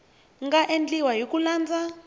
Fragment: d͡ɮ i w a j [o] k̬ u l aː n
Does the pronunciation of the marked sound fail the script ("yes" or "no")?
no